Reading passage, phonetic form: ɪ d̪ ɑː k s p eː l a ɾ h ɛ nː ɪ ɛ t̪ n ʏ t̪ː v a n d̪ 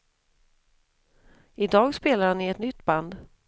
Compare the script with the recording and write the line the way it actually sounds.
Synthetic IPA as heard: ɪ d̪ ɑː ɡ s p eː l a ɾ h a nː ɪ ɛ t̪ n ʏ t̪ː b a n d̪

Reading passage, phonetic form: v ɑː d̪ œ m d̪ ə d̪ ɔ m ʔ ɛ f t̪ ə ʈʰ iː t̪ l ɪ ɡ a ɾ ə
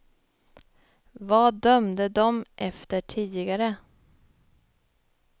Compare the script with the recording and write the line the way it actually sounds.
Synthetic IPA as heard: v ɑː d̪ œ m d̪ ə d̪ ɔ m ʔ ɛ f t̪ ə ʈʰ iː d̪ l ɪ ɡ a ɾ ə

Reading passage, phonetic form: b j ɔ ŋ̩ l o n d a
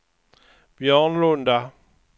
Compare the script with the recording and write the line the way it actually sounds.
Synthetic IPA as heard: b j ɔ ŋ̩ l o n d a

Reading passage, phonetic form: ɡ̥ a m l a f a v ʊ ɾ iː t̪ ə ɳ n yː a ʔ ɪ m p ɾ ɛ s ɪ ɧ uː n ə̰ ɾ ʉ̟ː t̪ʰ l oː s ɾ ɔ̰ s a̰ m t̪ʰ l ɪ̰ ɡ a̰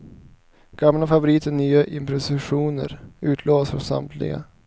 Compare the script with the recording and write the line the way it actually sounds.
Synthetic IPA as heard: ɡ̥ a m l a f a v ʊ ɾ iː t̪ ə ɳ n yː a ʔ ɪ m p ɾ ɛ s ɪ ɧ uː n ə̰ ɾ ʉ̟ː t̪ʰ l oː s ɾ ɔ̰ s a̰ m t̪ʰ l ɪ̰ ɡ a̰

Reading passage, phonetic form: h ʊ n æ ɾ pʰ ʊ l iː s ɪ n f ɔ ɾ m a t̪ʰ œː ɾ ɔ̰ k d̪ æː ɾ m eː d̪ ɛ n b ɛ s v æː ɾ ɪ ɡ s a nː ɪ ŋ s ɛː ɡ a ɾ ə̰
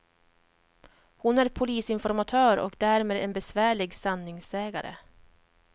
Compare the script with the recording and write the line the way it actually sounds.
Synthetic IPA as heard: h ʊ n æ ɾ pʰ ʊ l iː s ɪ n f ɔ ɾ m a t̪ʰ œː ɾ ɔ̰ k d̪ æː ɾ m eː d̪ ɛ n b ɛ s v æː ɭ ɪ ɡ s a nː ɪ ŋ s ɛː ɡ a ɾ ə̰

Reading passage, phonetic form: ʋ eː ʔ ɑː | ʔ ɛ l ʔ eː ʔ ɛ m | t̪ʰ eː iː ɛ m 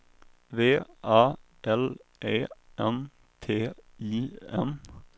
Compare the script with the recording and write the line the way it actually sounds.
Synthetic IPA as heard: ʋ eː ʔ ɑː | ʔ ɛ l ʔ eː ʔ ɛ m | t̪ʰ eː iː ɛ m

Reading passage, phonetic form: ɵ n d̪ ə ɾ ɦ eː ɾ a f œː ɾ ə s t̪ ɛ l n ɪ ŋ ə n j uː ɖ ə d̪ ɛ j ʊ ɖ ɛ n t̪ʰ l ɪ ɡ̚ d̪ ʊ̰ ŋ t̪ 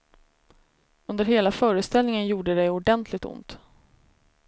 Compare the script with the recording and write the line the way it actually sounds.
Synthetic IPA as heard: ɵ n d̪ ə ɾ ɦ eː l a f œː ɾ ə s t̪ ɛ l n ɪ ŋ ə n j uː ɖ ə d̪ ɛ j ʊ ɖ ɛ n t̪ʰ l ɪ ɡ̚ t̪ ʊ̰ n t̪

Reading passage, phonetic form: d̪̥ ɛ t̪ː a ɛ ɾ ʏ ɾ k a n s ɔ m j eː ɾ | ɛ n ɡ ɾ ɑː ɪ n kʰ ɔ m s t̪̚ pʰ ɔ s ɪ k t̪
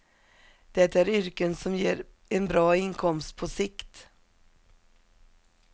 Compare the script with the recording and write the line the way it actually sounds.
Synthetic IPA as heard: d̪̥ ɛ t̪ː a æ ɾ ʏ ɾ k ə n s ɔ m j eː ɾ | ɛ n b ɾ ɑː ɪ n kʰ ɔ m s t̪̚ pʰ ɔ s ɪ k t̪

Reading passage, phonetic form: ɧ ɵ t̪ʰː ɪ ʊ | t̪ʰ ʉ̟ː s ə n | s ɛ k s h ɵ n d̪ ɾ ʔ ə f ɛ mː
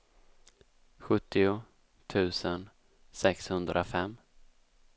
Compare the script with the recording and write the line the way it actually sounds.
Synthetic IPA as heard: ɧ ɵ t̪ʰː ɪ ʊ | t̪ʰ ʉ̟ː s ə n | s ɛ k s h ɵ n d̪ ɾ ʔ a f ɛ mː

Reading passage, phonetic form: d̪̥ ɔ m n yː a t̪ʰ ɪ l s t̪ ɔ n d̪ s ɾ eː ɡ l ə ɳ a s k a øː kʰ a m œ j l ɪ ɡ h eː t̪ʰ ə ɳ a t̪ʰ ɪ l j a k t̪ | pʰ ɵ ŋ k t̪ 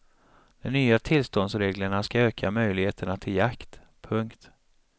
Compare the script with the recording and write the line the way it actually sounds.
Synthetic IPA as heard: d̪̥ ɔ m n yː a t̪ʰ ɪ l s t̪ ɔ n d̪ s ɾ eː ɡ l ə ɳ a s k a øː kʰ a m œ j l ɪ ɡ h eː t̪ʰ ə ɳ a t̪ʰ ɪ l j a k t̪ | pʰ ɵ ŋ k t̪

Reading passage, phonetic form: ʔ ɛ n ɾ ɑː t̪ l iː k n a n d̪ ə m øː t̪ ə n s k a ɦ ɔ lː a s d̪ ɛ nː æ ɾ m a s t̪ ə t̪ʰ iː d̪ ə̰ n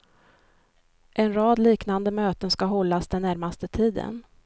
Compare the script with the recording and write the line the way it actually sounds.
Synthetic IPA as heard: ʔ ɛ n ɾ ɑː d̪ l iː k n a n d̪ ə m øː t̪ ə n s k a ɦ ɔ lː a s d̪ ɛ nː æ ɾ m a s t̪ ə t̪ʰ iː d̪ ə̰ n

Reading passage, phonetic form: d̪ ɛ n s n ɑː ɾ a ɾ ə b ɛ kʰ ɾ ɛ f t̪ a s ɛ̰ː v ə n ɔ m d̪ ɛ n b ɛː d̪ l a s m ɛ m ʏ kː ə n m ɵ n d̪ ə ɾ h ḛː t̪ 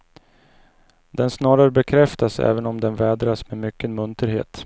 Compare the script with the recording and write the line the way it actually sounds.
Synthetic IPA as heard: d̪ ɛ n s n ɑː ɾ a ɾ ə b ɛ kʰ ɾ ɛ f t̪ a s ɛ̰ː v ə n ɔ m d̪ ɛ n v ɛː d̪ ɾ a s m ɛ m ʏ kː ə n m ɵ n t̪ ə ɾ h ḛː t̪

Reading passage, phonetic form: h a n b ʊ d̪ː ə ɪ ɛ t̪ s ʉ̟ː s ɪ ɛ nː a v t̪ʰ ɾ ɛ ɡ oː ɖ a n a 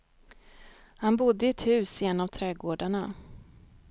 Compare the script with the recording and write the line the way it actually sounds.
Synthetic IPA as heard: h a n b ʊ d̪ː ə ɪ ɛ t̪ h ʉ̟ː s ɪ ɛ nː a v t̪ʰ ɾ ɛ ɡ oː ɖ a ɳ a

